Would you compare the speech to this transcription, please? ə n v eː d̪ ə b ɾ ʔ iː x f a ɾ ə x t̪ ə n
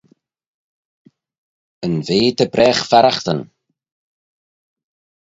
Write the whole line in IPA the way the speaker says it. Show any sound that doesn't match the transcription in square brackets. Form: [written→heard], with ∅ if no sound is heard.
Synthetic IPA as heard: ə n v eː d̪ ə b ɾ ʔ [iː→ɛː] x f a ɾ [ə→a] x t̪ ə n

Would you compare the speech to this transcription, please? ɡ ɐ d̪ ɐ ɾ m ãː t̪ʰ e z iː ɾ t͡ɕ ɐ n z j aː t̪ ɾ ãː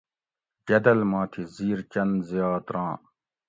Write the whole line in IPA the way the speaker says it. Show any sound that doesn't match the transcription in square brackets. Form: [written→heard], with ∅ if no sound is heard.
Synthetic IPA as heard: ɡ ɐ d̪ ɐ [ɾ→l] m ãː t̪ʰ [e→i] z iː ɾ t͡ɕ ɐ n z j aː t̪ ɾ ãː

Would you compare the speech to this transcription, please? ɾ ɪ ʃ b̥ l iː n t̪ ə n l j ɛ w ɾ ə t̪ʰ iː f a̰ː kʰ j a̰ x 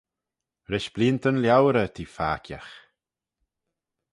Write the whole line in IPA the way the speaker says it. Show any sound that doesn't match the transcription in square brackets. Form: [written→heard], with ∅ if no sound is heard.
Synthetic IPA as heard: ɾ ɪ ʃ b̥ l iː n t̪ ə n l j [ɛ→a] w ɾ ə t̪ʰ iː f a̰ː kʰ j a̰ x

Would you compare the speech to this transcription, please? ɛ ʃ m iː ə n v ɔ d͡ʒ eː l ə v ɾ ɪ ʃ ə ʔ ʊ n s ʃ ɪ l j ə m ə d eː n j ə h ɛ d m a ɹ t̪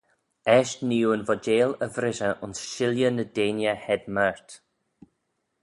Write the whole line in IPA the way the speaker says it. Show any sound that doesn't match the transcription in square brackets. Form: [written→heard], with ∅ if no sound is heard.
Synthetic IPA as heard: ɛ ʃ [m→n] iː ə n v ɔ d͡ʒ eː l ə v ɾ ɪ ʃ ə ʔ ʊ n s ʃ ɪ l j ə [m→n] ə d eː n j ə h ɛ d m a ɹ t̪

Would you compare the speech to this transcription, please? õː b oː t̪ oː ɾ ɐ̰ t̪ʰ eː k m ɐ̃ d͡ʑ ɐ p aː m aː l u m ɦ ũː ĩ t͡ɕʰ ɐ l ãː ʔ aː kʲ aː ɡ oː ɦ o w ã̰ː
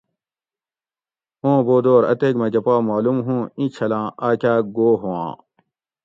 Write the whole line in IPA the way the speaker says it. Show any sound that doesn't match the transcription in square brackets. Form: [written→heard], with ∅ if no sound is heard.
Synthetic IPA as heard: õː b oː [t̪→d̪] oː ɾ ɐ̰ [t̪ʰ→t̪] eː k m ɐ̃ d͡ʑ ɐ p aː m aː l u m ɦ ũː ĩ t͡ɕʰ ɐ l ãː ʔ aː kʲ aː ɡ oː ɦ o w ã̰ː

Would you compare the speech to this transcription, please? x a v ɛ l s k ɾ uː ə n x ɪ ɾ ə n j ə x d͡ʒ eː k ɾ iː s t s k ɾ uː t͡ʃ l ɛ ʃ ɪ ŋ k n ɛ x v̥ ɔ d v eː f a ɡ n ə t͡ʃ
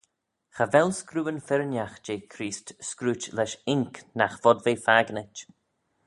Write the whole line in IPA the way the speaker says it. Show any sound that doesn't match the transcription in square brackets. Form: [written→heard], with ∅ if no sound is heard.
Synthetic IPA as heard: x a v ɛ l s k ɾ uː ə n [x→f] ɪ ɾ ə n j [ə→a] x d͡ʒ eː [k→kʰ] ɾ iː s t s k ɾ uː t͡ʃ l ɛ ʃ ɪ ŋ k n [ɛ→a] x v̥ ɔ d v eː f a ɡ n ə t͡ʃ

